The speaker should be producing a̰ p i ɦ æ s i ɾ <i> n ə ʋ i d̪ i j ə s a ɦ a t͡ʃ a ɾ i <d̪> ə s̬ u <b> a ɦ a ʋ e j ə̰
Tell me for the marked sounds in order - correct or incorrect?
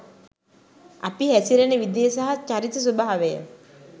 incorrect: e, incorrect: t̪, correct

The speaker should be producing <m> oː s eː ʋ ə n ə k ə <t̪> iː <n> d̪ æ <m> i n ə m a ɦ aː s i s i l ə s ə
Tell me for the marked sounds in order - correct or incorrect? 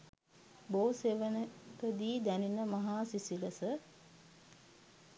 incorrect: b, incorrect: d̪, incorrect: none, incorrect: n

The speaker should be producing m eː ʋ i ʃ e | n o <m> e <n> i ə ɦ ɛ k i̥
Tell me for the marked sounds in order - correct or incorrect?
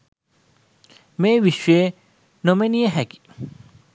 correct, correct

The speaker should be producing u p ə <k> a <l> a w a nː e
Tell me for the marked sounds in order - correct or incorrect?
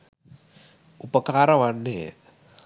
correct, incorrect: ɾ

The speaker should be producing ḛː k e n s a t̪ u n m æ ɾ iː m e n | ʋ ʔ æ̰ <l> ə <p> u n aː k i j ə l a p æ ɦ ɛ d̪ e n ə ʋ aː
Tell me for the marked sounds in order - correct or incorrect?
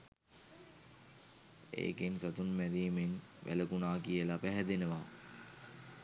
correct, incorrect: k

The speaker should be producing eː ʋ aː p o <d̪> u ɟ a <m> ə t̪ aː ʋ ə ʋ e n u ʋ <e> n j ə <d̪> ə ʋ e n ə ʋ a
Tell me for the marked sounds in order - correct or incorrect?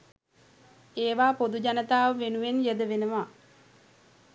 correct, incorrect: n, correct, correct

